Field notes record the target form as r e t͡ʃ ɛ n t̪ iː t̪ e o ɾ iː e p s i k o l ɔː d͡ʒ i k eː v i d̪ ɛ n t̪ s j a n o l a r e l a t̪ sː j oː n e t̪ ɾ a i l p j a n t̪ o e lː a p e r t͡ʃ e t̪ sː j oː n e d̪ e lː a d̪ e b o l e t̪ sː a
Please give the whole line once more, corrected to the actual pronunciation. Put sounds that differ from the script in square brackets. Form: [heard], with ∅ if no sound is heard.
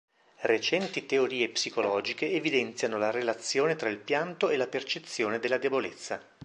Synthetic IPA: r e t͡ʃ ɛ n t̪ [i] t̪ e o ɾ iː e p s i k o l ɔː d͡ʒ i k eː v i d̪ ɛ n t̪ s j a n o l a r e l a t̪ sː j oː n e t̪ ɾ a i l p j a n t̪ o e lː a p e r t͡ʃ e t̪ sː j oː n e d̪ e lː a d̪ e b o l e t̪ sː a